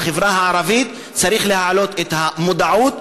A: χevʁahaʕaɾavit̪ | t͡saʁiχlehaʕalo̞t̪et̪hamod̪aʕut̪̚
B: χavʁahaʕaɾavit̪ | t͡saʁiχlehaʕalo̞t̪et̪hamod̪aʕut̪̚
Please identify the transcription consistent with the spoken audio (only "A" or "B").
A